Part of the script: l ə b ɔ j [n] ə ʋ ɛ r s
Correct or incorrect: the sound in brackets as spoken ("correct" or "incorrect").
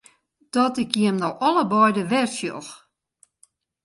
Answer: incorrect